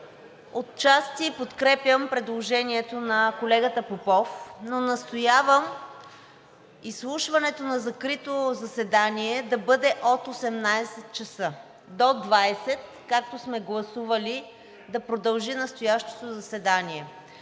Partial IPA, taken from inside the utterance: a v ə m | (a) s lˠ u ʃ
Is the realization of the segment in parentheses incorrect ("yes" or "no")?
yes